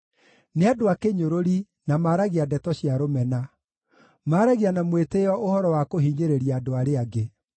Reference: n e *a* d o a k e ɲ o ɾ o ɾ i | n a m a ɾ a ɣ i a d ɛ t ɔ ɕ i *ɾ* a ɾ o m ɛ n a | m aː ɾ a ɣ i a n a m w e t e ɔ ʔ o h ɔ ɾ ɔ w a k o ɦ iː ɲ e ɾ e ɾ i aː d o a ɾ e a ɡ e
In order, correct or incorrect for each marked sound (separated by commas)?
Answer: correct, incorrect